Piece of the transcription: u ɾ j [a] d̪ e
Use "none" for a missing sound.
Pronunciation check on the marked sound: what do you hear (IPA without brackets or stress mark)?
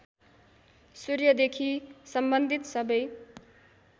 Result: ʌ